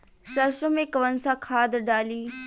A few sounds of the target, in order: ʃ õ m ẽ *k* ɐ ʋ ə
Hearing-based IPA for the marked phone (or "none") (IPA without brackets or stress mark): k